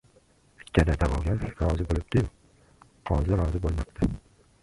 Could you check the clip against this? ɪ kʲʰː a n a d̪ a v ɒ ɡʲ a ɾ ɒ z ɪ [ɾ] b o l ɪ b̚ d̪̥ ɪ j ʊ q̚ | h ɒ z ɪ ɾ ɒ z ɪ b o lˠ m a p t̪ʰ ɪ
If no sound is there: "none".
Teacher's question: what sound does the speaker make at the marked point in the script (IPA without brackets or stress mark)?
none